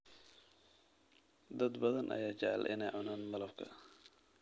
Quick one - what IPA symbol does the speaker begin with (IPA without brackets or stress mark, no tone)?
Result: d̪